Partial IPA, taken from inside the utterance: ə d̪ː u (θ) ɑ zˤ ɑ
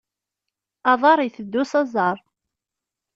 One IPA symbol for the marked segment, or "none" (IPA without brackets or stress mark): s